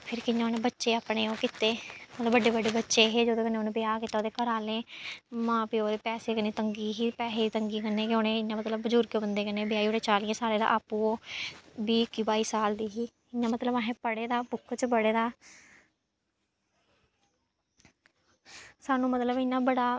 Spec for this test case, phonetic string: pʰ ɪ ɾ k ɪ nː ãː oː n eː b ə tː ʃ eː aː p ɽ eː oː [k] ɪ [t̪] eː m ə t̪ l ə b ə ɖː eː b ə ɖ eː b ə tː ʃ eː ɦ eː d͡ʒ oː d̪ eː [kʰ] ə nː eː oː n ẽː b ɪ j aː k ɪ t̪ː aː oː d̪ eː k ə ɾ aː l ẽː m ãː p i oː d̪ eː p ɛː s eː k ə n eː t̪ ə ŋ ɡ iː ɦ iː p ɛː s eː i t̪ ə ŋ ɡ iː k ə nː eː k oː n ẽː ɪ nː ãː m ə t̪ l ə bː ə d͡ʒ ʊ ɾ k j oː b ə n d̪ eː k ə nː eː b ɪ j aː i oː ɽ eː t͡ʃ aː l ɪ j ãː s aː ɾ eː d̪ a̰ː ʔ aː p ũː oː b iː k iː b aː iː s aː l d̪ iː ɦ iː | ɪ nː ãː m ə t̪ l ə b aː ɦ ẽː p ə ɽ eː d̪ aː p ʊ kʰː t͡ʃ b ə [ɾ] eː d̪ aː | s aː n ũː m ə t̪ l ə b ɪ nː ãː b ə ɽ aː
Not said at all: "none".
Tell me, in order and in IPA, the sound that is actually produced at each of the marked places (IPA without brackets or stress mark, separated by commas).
k, t̪, k, ɽ